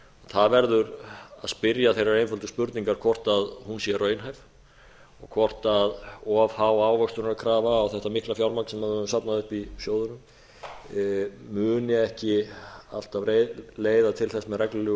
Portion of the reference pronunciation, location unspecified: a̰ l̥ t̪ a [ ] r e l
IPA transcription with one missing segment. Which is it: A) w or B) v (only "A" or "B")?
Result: B